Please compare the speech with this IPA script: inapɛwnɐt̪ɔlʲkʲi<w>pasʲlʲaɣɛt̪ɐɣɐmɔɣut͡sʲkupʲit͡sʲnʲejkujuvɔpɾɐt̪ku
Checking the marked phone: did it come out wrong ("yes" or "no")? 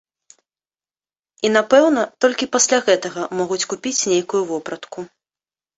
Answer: yes